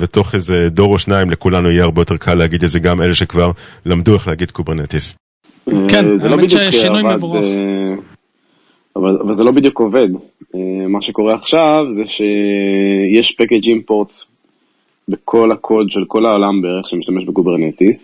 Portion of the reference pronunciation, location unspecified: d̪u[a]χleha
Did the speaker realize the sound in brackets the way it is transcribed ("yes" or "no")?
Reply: no